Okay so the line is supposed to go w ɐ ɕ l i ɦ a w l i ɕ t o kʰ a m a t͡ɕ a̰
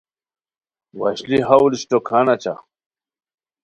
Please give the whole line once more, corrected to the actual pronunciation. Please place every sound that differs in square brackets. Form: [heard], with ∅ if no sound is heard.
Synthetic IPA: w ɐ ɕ l i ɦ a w l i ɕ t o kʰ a [n] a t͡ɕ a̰

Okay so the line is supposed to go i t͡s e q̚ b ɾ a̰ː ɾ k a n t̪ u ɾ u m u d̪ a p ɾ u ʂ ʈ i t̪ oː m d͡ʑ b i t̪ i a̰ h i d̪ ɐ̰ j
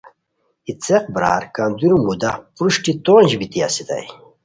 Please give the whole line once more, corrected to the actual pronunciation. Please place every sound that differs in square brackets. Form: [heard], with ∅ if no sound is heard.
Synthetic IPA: i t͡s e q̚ b ɾ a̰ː ɾ k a n [d̪] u ɾ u m u d̪ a p ɾ u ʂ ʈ i t̪ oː [n] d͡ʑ b i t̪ i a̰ [s] i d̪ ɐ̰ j

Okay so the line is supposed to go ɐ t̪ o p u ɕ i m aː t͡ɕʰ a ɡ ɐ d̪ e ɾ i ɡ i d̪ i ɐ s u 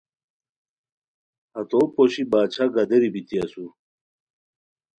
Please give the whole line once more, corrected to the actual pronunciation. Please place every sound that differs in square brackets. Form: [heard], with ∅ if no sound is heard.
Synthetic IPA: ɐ t̪ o p [o] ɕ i [b] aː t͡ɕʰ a ɡ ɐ d̪ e ɾ i [b] i [t̪] i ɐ s u

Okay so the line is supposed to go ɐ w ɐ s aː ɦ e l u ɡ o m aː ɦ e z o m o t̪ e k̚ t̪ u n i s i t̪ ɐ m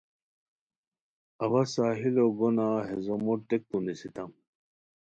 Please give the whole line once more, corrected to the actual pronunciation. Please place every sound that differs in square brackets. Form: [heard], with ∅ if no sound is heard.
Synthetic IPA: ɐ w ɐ s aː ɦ [i] l [o] ɡ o [n] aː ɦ e z o m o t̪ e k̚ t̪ u n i s i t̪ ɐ m

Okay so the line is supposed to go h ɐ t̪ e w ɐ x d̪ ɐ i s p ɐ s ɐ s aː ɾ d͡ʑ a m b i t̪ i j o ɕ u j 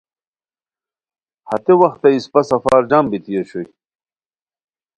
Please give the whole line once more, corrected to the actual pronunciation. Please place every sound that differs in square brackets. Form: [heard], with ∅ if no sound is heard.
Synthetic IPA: h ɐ t̪ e w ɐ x [t̪] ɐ i s p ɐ s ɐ [f] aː ɾ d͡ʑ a m b i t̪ i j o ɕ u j

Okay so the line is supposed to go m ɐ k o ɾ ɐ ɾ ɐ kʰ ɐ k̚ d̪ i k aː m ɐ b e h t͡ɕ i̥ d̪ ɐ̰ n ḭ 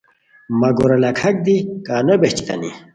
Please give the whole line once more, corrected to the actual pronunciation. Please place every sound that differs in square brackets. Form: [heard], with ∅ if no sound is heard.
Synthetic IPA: m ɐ [ɡ] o ɾ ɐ [l] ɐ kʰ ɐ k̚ d̪ i k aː [n] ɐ b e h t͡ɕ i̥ [t̪] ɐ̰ n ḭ

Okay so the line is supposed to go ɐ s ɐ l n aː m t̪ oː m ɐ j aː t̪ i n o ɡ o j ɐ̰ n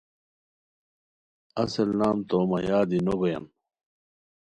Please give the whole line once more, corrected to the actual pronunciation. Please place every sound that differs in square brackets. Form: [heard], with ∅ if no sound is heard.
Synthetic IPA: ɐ s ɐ l n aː m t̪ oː m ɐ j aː [d̪] i n o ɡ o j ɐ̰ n

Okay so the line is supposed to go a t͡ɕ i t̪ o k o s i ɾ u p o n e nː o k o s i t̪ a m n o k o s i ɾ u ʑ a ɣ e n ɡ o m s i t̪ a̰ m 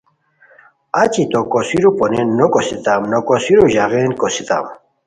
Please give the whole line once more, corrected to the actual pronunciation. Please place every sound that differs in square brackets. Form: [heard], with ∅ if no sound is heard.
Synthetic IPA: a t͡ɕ i t̪ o k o s i ɾ u p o n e nː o k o s i t̪ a m n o k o s i ɾ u ʑ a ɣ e n [k] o [∅] s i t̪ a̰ m

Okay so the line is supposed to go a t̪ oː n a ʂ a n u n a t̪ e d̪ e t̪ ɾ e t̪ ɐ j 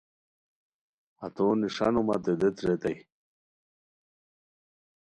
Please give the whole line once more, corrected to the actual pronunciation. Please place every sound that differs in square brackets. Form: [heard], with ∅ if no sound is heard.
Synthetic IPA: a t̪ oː n [i] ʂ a n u [m] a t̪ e d̪ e t̪ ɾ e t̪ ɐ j

